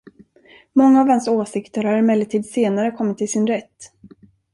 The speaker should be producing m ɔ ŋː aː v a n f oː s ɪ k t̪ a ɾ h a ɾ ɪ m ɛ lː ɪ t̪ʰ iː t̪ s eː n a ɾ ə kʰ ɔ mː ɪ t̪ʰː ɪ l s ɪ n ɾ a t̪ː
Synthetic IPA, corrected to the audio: m ɔ ŋː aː v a n s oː s ɪ k t̪ ə ɾ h a ɾ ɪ m ɛ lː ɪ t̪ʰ iː d̪ s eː n a ɾ ə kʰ ɔ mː ɪ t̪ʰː ɪ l s ɪ n ɾ ɛ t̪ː